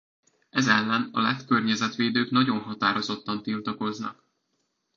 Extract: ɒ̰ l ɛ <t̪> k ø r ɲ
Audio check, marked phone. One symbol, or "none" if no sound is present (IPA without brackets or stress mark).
t̪